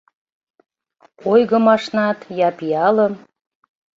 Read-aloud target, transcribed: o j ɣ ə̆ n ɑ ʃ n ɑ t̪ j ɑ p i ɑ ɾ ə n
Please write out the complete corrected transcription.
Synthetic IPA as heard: o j ɣ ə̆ m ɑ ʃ n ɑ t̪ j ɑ p i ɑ l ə m